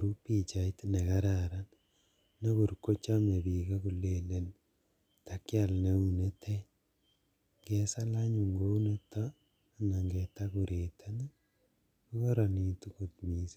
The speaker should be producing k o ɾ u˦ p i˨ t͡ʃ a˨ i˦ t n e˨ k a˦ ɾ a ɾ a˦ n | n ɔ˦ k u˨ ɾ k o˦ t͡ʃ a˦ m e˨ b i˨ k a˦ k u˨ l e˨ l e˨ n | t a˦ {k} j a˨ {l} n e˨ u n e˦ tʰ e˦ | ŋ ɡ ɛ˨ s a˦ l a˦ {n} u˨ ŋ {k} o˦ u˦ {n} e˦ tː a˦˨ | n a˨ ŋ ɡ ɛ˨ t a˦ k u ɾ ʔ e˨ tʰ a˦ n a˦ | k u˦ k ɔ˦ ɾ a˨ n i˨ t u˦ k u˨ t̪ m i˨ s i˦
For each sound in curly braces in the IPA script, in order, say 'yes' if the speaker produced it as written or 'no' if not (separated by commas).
yes, yes, no, no, yes